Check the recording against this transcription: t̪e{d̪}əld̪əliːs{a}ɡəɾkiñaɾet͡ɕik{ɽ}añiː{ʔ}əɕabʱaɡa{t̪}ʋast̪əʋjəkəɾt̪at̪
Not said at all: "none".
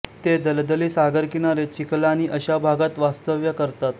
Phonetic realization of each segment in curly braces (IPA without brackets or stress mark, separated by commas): d̪, a, l, ʔ, t̪